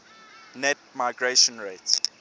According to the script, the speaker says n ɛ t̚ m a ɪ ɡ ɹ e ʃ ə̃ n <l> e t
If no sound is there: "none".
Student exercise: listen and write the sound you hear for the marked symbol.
ɹ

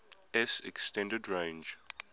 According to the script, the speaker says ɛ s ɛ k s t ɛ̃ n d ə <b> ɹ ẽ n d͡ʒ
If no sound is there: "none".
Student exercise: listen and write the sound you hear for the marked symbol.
d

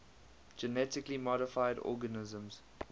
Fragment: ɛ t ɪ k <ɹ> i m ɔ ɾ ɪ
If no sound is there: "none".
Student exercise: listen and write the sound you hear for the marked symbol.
l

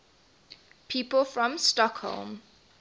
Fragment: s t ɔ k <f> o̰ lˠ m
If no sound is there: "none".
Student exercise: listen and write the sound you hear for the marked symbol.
h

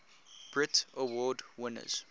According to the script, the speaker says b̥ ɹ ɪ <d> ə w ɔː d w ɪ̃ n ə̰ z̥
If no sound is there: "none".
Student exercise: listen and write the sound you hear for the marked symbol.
t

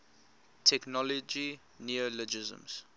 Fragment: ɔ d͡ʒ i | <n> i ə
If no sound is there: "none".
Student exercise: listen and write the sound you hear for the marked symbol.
n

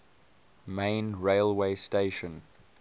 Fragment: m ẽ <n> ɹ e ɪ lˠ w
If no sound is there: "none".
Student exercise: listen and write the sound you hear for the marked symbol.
n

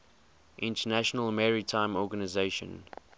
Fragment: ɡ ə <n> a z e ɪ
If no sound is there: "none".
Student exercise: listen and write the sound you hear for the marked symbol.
n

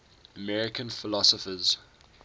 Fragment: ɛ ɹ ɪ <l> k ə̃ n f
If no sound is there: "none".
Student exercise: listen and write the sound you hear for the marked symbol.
none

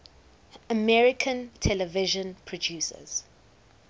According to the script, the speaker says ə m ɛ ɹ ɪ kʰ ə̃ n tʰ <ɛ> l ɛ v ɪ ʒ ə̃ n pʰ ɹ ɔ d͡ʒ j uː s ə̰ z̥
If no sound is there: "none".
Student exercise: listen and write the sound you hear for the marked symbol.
ɛ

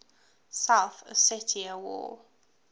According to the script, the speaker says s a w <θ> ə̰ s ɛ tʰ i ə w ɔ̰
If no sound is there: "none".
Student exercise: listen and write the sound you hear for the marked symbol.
θ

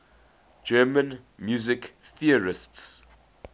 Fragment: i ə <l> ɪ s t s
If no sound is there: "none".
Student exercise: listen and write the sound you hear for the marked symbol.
ɹ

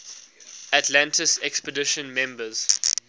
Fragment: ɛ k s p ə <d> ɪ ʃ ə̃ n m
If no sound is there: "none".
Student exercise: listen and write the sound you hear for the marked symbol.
d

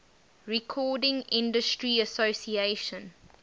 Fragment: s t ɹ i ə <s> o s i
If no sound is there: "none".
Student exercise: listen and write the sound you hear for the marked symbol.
s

